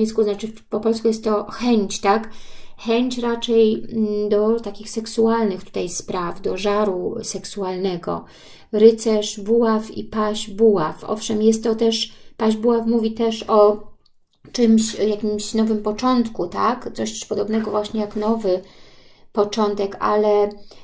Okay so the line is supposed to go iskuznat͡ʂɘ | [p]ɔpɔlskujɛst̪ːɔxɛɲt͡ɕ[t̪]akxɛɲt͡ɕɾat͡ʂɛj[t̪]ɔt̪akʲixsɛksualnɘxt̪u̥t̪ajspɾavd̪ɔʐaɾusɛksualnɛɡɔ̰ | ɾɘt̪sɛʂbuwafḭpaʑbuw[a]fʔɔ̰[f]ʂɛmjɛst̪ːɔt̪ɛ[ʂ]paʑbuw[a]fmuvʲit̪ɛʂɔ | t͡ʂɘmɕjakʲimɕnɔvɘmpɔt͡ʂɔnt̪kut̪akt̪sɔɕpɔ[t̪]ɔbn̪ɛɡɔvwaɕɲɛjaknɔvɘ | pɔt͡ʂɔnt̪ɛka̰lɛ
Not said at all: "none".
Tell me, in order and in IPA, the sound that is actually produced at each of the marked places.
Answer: p, t̪, d̪, a, f, ʂ, a, d̪

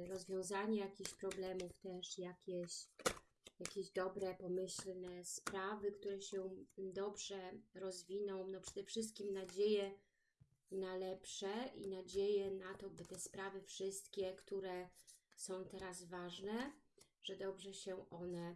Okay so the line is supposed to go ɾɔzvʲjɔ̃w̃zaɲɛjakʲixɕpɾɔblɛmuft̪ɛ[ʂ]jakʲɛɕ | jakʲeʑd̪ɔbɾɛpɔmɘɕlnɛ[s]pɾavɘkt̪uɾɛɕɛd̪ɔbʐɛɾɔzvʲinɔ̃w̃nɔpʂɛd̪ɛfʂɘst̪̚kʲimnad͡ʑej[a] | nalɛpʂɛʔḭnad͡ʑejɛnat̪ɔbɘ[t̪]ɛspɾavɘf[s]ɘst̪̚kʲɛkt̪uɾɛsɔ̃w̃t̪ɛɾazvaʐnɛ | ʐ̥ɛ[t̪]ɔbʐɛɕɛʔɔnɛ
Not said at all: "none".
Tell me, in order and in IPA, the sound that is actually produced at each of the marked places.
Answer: ʂ, s, ɛ, t̪, ʂ, d̪

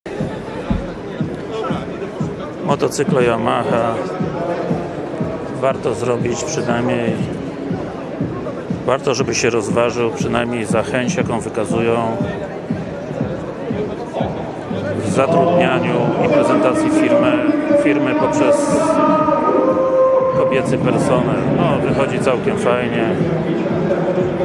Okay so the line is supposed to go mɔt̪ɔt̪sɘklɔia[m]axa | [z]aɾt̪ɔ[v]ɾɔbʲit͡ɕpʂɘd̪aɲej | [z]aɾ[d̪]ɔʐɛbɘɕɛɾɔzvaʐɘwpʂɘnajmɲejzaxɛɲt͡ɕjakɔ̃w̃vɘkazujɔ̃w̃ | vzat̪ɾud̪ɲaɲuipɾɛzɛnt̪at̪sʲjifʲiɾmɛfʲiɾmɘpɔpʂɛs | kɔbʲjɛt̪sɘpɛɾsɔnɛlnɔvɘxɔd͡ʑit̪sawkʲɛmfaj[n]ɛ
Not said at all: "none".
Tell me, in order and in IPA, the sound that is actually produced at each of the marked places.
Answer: m, v, z, v, t̪, ɲ

